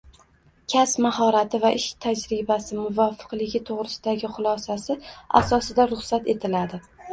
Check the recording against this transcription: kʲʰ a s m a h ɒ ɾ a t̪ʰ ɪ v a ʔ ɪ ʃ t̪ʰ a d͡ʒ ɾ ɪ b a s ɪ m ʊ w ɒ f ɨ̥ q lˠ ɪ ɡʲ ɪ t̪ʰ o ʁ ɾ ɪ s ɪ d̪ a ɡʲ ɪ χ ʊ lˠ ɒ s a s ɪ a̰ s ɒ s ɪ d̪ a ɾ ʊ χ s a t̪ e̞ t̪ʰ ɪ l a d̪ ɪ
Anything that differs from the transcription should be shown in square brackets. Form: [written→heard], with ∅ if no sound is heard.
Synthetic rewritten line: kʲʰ a s m a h ɒ ɾ a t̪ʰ ɪ v a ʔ ɪ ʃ t̪ʰ a d͡ʒ ɾ ɪ b a s ɪ m ʊ [w→v] ɒ f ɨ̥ q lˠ ɪ ɡʲ ɪ t̪ʰ o ʁ ɾ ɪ s ɪ d̪ a ɡʲ ɪ χ ʊ lˠ ɒ s a s ɪ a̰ s ɒ s ɪ d̪ a ɾ ʊ χ s a t̪ e̞ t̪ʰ ɪ l a d̪ ɪ